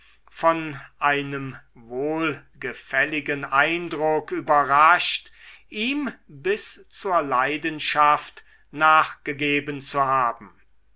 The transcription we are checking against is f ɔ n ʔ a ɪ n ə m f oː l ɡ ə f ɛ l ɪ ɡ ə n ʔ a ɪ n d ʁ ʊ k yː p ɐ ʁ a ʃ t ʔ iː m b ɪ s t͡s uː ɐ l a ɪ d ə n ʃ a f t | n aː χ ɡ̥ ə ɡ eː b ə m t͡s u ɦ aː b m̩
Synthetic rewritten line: f ɔ n ʔ a ɪ n ə m v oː l ɡ ə f ɛ l ɪ ɡ ə n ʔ a ɪ n d ʁ ʊ k yː b ɐ ʁ a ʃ t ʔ iː m b ɪ s t͡s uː ɐ l a ɪ d ə n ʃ a f t | n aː χ ɡ̥ ə ɡ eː b ə n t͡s u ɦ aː b m̩

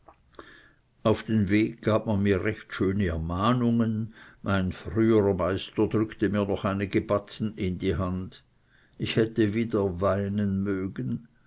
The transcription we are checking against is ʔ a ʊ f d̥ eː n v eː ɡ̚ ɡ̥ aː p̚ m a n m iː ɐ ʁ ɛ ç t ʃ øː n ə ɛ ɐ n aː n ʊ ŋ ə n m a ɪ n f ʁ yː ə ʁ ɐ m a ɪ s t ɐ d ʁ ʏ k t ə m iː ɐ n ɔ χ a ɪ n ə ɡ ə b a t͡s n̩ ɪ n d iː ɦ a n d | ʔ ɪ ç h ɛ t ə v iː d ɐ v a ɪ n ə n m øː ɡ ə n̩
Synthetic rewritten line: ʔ a ʊ f d̥ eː n v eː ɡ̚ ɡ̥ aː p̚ m a n m iː ɐ ʁ ɛ ç t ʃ øː n ə ɛ ɐ m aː n ʊ ŋ ə n m a ɪ n f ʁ yː ə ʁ ɐ m a ɪ s t ɐ d ʁ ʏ k t ə m iː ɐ n ɔ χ a ɪ n ə ɡ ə b a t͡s n̩ ɪ n d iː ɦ a n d | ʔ ɪ ç h ɛ t ə v iː d ɐ v a ɪ n ə n m øː ɡ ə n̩

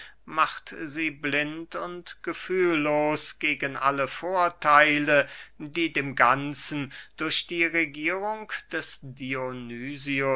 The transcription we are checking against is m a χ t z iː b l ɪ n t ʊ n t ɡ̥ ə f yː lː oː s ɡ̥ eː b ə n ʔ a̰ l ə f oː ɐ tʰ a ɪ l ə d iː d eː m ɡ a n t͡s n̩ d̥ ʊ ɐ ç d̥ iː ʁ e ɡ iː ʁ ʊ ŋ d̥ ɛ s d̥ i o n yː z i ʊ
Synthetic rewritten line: m a χ t z iː b l ɪ n t ʊ n t ɡ̥ ə f yː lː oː s ɡ̥ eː ɡ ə n ʔ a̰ l ə f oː ɐ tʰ a ɪ l ə d iː d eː m ɡ a n t͡s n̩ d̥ ʊ ɐ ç d̥ iː ʁ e ɡ iː ʁ ʊ ŋ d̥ ɛ s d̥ i o n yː z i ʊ

